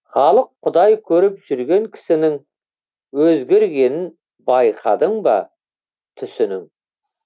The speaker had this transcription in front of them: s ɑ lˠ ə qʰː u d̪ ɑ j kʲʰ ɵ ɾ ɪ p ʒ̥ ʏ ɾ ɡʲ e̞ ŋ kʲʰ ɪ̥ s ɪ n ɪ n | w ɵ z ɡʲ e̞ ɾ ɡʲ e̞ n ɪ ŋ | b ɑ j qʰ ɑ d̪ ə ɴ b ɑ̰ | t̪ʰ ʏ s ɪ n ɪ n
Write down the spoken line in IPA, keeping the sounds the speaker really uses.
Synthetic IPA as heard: χ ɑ lˠ ə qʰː ʊ d̪ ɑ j kʲʰ ɵ ɾ ɪ p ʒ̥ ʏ ɾ ɡʲ e̞ ŋ kʲʰ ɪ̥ s ɪ n ɪ ŋ | w ɵ z ɡʲ e̞ ɾ ɡʲ e̞ n ɪ n | b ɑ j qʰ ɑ d̪ ə ɴ b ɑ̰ | t̪ʰ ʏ s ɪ n ɪ ŋ